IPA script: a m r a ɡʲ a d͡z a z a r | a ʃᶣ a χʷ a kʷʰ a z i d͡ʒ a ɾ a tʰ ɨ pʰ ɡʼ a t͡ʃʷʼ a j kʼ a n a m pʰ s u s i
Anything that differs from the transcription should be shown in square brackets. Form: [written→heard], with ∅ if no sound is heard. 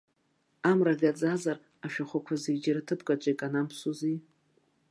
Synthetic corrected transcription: a m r a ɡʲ a d͡z a z a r | a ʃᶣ a χʷ a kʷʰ a z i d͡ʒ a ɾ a tʰ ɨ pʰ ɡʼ a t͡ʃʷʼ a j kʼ a n a m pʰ s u [s→z] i